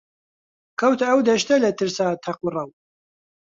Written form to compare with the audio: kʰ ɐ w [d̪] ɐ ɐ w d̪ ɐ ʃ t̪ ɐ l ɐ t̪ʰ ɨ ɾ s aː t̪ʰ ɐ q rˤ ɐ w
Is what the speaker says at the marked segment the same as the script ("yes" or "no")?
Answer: no